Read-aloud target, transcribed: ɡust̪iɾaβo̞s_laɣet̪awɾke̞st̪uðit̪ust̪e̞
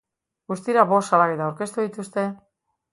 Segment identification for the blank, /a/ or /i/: a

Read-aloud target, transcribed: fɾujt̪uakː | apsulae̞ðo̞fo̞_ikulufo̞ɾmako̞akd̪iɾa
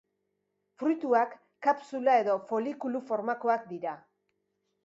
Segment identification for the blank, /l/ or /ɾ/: l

